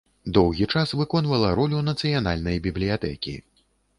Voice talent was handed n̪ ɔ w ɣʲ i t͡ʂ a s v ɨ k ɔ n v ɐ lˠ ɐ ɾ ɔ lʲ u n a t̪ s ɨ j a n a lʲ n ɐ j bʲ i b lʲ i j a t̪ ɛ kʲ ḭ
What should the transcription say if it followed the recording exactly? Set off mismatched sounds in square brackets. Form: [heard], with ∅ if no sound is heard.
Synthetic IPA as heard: [d̪] ɔ w ɣʲ i t͡ʂ a s v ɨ k ɔ n v ɐ lˠ ɐ ɾ ɔ lʲ u n [ɐ] t̪ s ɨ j a n a lʲ n ɐ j bʲ i b lʲ i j a t̪ ɛ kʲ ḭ